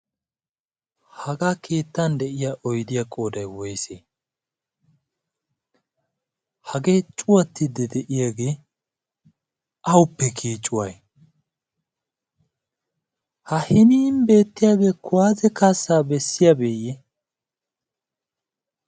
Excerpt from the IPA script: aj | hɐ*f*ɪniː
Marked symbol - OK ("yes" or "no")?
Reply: no